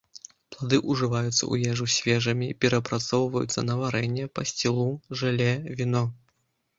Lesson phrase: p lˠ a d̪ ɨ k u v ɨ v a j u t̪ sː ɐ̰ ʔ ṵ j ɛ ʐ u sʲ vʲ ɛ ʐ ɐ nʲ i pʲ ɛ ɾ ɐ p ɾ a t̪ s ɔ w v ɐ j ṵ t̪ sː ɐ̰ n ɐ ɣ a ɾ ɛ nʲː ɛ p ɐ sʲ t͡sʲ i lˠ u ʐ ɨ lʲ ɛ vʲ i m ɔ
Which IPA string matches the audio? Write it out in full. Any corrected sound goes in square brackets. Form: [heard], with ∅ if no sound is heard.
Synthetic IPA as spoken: p lˠ a d̪ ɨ [ʔ] u [ʐ] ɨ v a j u t̪ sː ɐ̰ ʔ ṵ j ɛ ʐ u sʲ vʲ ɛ ʐ ɐ [mʲ] i pʲ ɛ ɾ ɐ p ɾ a t̪ s ɔ w v ɐ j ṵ t̪ sː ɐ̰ n ɐ [v] a ɾ ɛ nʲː ɛ p ɐ sʲ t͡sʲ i lˠ u ʐ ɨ lʲ ɛ vʲ i [n] ɔ